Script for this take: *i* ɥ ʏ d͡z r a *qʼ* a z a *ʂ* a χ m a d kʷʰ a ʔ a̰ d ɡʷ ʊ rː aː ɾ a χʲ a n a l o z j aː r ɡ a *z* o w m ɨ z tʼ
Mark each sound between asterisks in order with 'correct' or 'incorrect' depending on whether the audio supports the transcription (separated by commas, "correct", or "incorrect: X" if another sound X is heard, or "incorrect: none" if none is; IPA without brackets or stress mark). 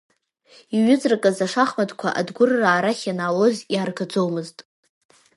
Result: correct, incorrect: kʼ, correct, incorrect: d͡z